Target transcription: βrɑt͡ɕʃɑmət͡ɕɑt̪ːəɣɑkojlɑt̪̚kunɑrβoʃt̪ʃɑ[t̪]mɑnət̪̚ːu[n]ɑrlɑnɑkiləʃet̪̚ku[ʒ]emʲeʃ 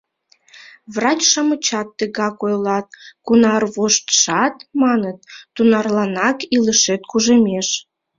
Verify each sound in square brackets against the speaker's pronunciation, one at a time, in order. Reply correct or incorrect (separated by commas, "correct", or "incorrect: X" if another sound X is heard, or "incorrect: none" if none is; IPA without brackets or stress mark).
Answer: correct, correct, correct